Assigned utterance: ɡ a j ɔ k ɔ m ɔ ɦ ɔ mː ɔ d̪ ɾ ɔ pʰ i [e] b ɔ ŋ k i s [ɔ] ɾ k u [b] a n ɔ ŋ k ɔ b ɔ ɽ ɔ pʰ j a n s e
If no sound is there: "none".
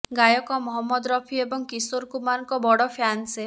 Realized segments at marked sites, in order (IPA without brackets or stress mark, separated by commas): e, o, m